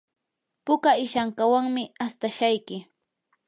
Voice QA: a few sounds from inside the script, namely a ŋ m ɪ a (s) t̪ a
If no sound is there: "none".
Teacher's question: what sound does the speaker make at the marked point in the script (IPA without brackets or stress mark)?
s